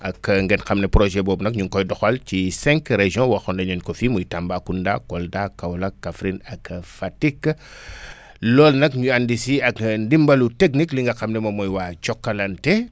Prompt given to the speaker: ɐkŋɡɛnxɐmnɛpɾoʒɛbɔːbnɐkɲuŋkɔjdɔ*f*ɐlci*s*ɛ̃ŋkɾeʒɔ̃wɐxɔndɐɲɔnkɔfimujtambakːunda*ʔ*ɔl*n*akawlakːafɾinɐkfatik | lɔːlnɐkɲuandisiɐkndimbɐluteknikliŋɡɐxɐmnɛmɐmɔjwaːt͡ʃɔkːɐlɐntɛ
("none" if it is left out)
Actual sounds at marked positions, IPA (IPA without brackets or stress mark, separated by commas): x, s, k, d